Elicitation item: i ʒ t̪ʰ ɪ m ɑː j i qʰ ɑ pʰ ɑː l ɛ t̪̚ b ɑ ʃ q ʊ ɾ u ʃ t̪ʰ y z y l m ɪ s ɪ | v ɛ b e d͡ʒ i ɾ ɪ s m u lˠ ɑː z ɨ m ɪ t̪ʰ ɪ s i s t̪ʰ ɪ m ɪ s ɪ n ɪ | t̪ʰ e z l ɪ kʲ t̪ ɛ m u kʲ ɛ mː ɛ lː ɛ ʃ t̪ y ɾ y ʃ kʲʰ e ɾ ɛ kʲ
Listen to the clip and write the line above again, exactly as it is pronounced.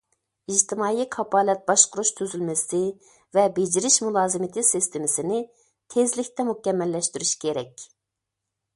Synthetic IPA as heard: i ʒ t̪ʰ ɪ m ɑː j i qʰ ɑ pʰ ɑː l ɛ t̪̚ b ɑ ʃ q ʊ ɾ u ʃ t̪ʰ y z y l m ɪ s ɪ | v ɛ b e d͡ʒ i ɾ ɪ ʃ m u lˠ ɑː z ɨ m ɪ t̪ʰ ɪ s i s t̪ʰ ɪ m ɪ s ɪ n ɪ | t̪ʰ e z l ɪ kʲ t̪ ɛ m u kʲ ɛ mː ɛ lː ɛ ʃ t̪ y ɾ y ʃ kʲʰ e ɾ ɛ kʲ